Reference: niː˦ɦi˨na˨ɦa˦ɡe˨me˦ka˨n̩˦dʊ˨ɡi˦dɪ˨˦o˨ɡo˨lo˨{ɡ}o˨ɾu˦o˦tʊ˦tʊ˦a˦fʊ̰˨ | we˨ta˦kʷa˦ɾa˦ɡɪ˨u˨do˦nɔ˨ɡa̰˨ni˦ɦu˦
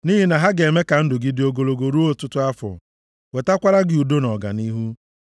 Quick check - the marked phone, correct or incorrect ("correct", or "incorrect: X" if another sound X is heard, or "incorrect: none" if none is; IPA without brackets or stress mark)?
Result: correct